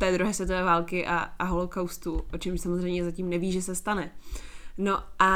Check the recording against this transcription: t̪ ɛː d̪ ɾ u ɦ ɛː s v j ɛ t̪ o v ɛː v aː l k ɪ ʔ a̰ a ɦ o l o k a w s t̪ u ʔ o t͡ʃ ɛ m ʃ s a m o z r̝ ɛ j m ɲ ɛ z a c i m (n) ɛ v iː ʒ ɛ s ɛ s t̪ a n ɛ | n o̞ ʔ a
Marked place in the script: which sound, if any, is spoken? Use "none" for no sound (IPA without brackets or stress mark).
n